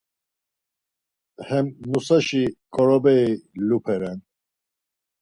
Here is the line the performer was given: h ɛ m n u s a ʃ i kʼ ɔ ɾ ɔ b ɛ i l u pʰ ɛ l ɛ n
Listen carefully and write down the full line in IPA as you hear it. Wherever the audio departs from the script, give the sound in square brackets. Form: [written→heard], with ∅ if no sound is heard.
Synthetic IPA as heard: h ɛ m n u s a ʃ i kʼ ɔ ɾ ɔ b ɛ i l u pʰ ɛ [l→ɾ] ɛ n